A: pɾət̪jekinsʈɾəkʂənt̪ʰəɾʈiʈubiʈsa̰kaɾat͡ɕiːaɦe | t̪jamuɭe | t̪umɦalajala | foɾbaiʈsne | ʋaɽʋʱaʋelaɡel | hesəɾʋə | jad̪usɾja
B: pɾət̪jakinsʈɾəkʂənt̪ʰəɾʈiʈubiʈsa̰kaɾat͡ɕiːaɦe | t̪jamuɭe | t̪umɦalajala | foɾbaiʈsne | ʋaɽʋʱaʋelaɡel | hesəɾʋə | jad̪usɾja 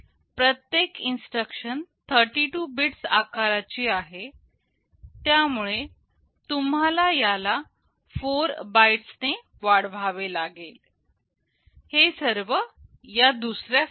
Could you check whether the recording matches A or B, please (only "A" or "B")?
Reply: A